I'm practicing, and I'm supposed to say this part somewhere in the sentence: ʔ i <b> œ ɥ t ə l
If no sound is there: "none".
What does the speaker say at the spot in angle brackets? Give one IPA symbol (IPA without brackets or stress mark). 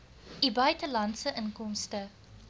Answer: b